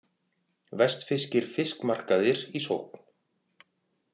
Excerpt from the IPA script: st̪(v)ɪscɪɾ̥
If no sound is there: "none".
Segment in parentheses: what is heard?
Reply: f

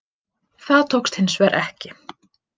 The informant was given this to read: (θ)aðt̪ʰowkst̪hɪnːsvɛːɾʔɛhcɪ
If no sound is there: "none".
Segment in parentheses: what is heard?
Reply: θ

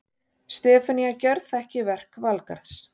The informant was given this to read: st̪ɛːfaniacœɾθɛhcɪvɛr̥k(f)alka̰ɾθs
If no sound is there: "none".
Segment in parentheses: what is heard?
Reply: v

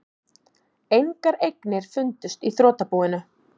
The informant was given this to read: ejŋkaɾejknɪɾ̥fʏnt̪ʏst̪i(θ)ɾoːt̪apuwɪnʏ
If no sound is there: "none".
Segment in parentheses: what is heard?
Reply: θ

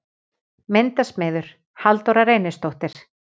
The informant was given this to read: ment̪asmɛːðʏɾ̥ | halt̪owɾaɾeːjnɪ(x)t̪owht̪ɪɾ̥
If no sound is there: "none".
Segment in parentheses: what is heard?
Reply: s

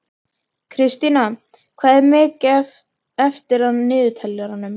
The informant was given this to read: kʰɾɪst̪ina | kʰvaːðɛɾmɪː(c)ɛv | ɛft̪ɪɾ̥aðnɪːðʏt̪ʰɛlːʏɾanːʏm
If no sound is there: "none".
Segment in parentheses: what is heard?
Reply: c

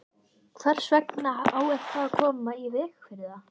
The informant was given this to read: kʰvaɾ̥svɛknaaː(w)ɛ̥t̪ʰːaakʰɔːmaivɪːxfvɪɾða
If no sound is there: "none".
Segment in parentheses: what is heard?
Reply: w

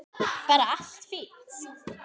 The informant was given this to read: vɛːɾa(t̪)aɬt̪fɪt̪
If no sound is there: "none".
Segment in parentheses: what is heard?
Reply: none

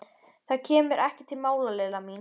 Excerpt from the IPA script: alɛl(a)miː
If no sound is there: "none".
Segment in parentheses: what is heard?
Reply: a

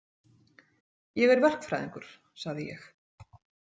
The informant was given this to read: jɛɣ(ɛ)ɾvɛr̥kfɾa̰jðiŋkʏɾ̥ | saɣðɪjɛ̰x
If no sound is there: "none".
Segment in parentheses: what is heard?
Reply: ɛ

